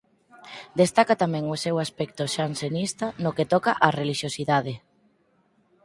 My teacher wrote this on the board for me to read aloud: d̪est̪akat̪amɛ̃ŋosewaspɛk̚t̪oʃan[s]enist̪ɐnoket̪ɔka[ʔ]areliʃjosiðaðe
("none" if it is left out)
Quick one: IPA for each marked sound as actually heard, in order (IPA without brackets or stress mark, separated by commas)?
s, ʔ